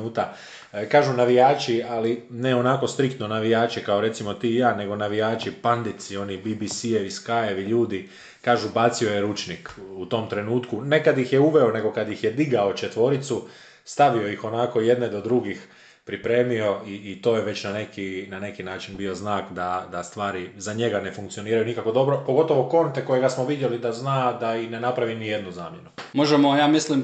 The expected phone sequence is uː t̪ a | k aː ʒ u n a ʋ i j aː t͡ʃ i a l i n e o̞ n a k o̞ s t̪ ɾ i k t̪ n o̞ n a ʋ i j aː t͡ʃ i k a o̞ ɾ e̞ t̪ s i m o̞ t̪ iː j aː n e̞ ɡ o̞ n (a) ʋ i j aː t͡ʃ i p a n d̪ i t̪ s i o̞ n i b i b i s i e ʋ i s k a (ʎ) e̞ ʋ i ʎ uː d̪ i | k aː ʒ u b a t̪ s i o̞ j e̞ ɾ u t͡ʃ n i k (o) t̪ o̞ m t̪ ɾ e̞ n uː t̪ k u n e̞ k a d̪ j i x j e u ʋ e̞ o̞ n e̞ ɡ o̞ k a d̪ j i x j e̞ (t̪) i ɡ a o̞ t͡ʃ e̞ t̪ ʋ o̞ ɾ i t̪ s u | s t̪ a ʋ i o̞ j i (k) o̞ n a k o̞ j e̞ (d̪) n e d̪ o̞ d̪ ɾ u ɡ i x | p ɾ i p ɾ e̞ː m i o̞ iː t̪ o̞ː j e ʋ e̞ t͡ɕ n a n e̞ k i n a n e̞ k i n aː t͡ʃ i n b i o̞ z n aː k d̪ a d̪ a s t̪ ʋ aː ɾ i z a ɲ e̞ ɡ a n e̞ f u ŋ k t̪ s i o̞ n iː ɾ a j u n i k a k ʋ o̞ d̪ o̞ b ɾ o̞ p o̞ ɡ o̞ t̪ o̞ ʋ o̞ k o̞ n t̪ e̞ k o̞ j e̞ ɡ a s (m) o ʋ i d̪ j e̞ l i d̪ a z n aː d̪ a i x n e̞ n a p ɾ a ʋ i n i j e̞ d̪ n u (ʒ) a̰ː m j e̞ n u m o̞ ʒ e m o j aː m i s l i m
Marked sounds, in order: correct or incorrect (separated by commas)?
correct, incorrect, incorrect, incorrect, incorrect, correct, correct, incorrect